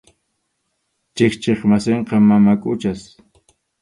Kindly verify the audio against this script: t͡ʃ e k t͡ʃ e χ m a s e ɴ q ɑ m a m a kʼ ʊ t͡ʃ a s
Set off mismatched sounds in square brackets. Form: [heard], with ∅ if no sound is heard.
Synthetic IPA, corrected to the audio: t͡ʃ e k t͡ʃ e χ m a s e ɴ q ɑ m a m a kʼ ʊ t͡ʃ a s